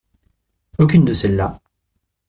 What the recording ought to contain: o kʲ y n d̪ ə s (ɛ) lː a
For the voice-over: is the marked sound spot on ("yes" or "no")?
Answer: yes